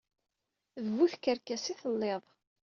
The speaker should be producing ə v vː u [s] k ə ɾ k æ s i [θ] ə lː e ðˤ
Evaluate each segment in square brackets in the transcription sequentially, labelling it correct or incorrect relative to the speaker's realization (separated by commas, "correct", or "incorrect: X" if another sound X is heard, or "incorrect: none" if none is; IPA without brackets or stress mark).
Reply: incorrect: θ, correct